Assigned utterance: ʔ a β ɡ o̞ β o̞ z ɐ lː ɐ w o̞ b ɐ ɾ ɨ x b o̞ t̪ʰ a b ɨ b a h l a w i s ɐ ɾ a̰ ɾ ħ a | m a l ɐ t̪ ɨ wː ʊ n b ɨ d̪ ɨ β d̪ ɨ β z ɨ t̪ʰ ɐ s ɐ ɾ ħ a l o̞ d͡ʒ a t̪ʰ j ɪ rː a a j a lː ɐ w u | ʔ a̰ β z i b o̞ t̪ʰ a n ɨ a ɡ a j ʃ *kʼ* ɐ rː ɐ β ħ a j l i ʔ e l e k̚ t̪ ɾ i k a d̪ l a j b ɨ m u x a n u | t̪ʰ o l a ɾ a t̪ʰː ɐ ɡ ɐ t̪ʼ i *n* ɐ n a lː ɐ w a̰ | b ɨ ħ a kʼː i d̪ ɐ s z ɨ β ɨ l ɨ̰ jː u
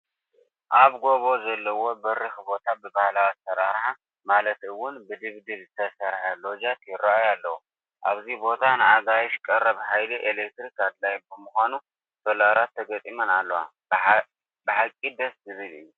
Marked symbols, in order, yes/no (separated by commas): yes, no